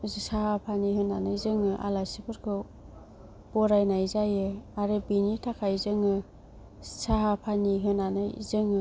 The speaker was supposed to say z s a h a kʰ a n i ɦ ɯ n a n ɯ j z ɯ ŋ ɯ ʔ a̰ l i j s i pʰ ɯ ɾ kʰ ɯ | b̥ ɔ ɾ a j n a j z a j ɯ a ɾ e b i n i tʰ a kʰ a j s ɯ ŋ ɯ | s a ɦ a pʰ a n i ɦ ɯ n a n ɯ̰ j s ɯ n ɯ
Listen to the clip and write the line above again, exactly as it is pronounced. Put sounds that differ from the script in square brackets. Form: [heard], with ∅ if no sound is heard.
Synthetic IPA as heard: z s a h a [pʰ] a n i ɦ ɯ n a n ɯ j z ɯ ŋ ɯ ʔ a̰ l [a] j s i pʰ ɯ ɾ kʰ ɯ | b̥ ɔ ɾ a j n a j z a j ɯ a ɾ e b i n i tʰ a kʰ a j [z] ɯ ŋ ɯ | s a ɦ a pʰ a n i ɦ ɯ n a n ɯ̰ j [z] ɯ [ŋ] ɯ